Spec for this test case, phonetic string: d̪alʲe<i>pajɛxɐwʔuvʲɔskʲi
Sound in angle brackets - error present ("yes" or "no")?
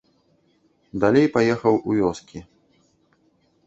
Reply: yes